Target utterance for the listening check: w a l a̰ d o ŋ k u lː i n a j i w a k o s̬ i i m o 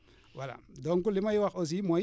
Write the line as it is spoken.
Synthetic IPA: w a l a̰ d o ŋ k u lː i m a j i w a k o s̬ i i m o